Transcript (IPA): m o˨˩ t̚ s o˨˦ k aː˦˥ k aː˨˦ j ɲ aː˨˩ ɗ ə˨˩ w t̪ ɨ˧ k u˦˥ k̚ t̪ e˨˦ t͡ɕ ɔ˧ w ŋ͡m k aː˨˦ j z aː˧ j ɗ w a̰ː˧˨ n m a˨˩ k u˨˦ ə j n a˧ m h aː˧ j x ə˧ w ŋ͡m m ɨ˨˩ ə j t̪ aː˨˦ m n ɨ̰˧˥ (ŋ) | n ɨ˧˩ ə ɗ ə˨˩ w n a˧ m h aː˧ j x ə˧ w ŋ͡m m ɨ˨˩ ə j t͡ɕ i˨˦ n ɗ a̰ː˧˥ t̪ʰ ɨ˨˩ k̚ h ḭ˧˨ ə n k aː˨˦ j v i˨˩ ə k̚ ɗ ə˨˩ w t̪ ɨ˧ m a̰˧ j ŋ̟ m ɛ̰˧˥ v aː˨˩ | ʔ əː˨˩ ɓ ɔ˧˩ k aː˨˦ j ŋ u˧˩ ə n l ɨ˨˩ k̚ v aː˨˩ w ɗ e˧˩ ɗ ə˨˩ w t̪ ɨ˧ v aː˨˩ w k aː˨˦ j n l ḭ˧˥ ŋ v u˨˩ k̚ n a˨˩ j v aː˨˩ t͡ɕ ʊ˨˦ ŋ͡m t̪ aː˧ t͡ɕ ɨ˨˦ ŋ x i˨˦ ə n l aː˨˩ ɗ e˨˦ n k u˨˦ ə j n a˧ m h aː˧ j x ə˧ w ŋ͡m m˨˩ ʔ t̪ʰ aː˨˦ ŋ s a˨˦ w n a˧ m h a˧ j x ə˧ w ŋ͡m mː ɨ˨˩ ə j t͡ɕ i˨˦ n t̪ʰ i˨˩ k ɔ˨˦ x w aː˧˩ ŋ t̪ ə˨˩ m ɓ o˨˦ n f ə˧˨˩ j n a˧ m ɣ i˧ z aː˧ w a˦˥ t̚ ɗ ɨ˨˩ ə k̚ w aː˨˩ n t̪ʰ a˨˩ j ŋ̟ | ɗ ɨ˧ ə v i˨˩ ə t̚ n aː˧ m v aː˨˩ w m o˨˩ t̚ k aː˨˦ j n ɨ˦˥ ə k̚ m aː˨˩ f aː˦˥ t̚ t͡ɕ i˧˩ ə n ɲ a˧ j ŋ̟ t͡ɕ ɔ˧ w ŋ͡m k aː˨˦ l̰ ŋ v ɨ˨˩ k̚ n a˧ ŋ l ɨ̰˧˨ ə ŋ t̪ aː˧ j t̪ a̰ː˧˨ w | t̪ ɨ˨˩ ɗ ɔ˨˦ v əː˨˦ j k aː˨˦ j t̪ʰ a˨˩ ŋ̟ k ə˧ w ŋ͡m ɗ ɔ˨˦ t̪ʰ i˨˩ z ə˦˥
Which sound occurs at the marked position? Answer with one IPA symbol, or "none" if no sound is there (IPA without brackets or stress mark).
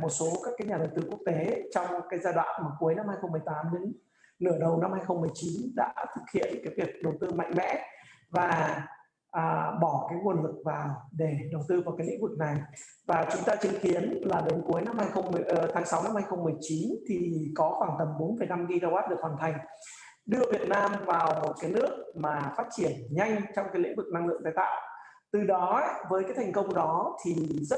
ŋ